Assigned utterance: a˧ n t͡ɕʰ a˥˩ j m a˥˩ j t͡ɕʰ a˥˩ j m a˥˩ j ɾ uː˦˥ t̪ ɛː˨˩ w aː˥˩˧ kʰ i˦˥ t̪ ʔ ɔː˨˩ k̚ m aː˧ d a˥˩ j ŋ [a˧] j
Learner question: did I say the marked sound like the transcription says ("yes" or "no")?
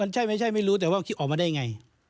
yes